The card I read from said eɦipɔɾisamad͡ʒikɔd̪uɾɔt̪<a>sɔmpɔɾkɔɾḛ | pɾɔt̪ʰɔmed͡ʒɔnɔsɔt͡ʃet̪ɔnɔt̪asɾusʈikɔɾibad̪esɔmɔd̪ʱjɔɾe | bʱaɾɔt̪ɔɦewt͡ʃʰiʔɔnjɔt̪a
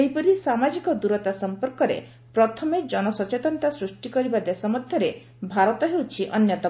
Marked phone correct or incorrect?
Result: correct